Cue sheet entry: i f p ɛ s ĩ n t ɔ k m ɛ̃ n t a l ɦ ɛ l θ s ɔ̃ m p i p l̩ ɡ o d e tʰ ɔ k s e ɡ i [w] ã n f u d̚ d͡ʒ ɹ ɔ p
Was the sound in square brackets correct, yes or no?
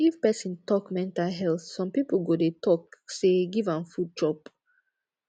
no